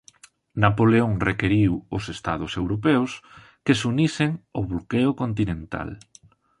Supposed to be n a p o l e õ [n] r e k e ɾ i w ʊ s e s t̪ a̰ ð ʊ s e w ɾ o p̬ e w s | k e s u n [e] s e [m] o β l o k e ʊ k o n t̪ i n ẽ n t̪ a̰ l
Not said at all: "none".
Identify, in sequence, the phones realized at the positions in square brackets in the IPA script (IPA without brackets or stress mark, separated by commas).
ŋ, i, ŋ